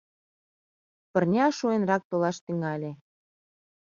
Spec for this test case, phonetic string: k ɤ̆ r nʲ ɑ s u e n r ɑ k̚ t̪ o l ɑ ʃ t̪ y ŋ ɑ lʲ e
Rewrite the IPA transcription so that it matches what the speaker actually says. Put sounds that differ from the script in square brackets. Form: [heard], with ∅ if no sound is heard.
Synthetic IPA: [p] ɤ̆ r nʲ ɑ [ʃ] u e n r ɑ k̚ t̪ o l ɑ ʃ t̪ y ŋ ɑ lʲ e